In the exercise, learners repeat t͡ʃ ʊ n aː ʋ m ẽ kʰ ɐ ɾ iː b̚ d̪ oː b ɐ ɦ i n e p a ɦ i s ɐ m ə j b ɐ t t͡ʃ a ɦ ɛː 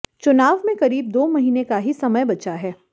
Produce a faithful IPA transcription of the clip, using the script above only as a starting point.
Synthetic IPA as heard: t͡ʃ ʊ n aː ʋ m ẽ k ɐ ɾ iː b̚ d̪ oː m ɐ ɦ iː n e k a ɦ i s ɐ m ə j b ɐ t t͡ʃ a ɦ ɛː